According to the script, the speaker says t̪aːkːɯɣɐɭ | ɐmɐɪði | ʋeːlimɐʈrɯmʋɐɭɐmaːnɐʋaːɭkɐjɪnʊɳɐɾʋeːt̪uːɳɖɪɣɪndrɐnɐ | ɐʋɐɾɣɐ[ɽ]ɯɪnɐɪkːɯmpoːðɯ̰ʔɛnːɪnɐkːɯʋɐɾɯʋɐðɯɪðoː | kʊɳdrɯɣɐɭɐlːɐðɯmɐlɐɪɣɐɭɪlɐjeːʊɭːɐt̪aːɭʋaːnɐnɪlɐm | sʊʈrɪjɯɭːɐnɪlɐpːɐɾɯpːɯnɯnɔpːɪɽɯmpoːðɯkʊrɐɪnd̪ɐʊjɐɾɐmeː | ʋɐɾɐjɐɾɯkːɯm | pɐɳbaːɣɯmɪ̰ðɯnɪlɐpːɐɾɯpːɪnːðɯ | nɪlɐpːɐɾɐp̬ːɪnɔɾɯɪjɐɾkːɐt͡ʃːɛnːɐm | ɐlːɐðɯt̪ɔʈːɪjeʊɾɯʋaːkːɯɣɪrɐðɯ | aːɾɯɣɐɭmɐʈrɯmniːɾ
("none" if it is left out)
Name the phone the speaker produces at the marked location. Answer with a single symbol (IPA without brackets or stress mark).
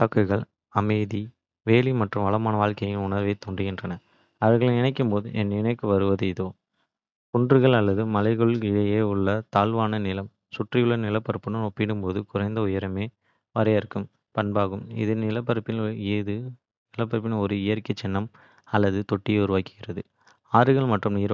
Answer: ɭ